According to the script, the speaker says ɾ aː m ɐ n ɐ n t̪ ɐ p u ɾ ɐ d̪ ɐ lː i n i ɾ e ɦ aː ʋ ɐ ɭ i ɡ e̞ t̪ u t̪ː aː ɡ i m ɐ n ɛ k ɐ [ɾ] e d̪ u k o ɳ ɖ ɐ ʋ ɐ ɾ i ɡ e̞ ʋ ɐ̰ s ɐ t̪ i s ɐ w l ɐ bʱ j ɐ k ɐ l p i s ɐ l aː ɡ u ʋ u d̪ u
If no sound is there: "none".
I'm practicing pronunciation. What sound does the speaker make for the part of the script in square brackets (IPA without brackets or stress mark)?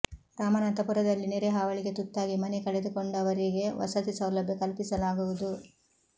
ɭ